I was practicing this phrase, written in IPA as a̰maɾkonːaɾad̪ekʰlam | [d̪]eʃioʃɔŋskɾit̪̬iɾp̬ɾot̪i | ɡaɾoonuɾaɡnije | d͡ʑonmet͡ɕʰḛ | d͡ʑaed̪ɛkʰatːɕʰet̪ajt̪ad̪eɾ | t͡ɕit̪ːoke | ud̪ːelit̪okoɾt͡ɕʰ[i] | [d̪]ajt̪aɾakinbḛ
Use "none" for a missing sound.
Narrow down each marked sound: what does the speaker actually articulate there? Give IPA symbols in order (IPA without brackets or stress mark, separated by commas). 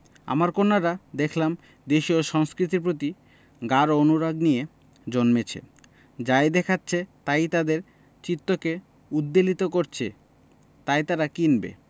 d̪, e, t̪